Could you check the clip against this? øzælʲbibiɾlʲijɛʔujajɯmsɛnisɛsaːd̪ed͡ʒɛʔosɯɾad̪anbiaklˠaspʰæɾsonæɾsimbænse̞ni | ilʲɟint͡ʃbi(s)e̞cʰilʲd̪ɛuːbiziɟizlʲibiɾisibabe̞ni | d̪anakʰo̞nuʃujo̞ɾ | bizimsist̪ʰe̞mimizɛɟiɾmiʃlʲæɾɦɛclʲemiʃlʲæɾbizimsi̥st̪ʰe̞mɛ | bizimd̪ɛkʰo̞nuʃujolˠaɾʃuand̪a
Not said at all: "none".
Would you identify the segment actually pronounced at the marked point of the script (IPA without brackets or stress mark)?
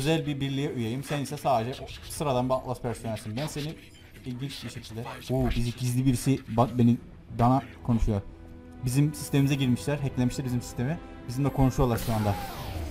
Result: ʃ